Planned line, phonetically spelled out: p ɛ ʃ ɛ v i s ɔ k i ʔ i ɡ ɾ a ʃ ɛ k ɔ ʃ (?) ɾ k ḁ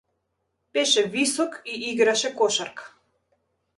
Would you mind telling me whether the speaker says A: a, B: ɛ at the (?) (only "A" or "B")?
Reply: A